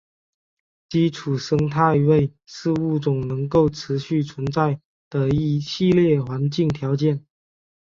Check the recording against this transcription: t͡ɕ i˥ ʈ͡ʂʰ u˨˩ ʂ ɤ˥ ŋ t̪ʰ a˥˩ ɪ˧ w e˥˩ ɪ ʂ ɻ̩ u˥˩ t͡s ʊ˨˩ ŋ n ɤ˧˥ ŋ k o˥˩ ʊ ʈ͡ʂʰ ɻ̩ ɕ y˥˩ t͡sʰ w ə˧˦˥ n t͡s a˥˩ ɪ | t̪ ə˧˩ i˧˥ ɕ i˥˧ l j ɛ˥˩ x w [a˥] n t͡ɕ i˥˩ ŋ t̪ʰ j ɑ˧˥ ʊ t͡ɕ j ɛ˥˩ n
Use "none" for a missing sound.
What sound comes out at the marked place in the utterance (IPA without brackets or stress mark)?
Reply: a˧˥